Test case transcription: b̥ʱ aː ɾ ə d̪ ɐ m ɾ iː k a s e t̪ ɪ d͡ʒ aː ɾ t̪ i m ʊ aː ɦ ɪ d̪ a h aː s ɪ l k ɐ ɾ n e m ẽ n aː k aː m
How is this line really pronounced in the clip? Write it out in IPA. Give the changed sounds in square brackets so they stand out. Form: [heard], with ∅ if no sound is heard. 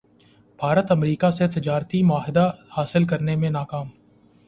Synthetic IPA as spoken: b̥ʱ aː ɾ ə [t̪] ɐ m ɾ iː k a s e t̪ ɪ d͡ʒ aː ɾ t̪ i m ʊ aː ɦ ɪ d̪ a h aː s ɪ l k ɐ ɾ n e m ẽ n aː k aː m